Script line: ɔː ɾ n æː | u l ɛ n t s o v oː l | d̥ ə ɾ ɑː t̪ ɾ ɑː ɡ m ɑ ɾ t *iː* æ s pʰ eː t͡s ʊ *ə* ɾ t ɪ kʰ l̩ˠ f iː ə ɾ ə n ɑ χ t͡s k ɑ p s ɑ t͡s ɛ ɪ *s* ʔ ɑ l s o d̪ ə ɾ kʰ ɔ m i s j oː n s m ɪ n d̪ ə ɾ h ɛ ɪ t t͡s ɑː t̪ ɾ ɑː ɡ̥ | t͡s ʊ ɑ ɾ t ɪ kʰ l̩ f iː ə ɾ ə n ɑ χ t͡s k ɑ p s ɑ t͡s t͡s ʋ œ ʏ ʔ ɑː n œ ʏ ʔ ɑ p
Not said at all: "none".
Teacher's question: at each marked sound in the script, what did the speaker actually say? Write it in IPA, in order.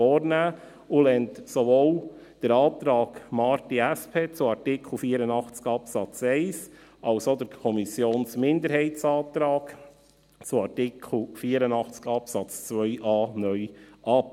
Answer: i, ɑ, s

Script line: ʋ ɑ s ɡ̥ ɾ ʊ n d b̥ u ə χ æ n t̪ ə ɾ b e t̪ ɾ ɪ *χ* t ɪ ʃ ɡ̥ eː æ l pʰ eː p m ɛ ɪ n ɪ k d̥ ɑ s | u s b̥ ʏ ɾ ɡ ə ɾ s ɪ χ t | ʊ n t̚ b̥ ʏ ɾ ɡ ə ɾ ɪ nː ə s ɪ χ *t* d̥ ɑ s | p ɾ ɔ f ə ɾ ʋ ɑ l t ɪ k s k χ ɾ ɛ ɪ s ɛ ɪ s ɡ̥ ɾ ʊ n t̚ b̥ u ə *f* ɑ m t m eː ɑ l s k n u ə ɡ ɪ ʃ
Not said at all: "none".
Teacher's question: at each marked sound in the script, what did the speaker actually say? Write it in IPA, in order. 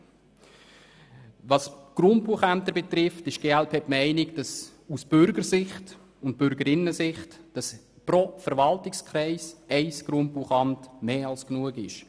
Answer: f, t, χ

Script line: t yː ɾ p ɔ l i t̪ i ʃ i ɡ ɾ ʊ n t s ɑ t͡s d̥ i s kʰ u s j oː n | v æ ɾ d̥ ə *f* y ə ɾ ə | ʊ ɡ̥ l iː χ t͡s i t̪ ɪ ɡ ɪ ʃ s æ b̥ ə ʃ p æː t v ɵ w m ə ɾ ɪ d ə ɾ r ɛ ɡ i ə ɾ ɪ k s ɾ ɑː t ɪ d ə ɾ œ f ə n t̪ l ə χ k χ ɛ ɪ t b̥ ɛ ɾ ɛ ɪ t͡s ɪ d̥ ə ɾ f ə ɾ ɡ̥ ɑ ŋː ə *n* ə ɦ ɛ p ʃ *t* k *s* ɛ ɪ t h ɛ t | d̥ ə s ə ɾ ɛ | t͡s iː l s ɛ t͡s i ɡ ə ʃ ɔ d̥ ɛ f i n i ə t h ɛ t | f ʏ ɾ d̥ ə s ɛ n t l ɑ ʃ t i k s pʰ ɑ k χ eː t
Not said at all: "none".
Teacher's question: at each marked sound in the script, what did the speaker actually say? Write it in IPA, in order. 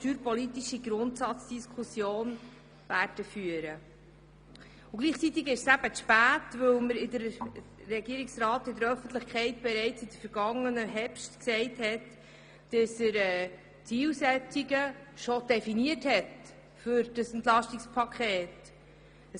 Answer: f, n, t, s

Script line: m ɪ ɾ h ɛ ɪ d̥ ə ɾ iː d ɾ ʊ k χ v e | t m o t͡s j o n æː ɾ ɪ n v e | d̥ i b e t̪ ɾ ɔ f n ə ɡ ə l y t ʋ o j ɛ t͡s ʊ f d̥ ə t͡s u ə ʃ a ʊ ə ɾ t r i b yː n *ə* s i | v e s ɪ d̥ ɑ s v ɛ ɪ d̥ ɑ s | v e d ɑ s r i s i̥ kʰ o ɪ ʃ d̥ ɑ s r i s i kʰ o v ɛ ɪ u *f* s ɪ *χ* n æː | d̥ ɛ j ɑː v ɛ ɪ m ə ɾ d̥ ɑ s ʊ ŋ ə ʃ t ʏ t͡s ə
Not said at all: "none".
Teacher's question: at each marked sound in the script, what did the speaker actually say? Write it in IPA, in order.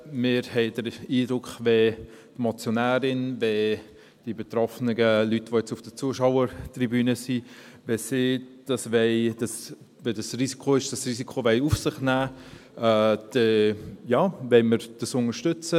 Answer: ə, f, χ

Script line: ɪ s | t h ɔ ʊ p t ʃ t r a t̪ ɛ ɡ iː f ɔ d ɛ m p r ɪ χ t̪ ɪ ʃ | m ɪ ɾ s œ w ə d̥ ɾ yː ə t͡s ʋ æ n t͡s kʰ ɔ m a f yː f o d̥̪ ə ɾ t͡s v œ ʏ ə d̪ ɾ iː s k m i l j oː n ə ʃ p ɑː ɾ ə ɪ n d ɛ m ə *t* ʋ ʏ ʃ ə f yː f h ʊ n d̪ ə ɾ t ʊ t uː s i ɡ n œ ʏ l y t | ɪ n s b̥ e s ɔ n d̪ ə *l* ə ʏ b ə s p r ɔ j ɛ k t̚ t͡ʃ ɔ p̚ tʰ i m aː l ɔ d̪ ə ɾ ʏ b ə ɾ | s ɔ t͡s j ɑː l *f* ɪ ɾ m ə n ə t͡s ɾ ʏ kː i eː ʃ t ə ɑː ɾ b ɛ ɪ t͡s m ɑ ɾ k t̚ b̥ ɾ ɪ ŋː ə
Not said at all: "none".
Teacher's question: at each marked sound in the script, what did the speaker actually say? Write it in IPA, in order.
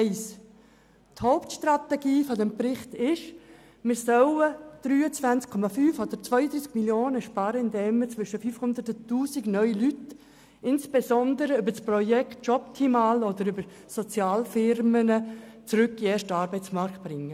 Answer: t͡s, ɾ, f

